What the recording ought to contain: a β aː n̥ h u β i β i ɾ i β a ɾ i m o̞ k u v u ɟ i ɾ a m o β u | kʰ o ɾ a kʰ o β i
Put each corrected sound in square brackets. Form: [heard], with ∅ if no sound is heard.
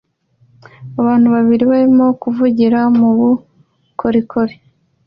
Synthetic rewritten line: a β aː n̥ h u β [a] β i ɾ i β a ɾ i m o̞ k u v u ɟ i ɾ a m [u] β u | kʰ o ɾ [i] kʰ o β i